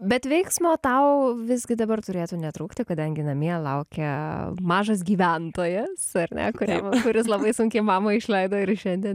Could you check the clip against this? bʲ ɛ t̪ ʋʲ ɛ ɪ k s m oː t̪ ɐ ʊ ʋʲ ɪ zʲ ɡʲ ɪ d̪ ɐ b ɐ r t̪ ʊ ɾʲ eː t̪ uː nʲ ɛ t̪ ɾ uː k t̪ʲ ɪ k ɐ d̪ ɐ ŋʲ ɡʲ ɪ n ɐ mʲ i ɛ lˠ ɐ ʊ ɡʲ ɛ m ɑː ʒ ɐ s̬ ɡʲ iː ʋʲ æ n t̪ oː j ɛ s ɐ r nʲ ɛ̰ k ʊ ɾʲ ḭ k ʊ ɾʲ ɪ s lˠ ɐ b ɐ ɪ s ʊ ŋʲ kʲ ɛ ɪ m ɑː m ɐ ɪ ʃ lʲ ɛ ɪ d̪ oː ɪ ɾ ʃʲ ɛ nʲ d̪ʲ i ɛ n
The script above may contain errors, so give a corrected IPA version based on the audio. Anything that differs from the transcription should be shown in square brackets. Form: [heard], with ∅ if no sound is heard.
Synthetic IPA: bʲ ɛ t̪ ʋʲ ɛ ɪ k s m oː t̪ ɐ ʊ ʋʲ ɪ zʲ ɡʲ ɪ d̪ ɐ b ɐ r t̪ ʊ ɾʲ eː t̪ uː nʲ ɛ t̪ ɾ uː k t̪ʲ ɪ k ɐ d̪ ɐ ŋʲ ɡʲ ɪ n ɐ mʲ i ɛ lˠ ɐ ʊ [kʲ] ɛ m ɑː ʒ ɐ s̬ ɡʲ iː ʋʲ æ n t̪ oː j ɛ s ɐ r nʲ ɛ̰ k ʊ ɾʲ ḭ k ʊ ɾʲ ɪ s lˠ ɐ b ɐ ɪ s ʊ ŋʲ kʲ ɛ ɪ m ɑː m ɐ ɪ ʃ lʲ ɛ ɪ d̪ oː ɪ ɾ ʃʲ ɛ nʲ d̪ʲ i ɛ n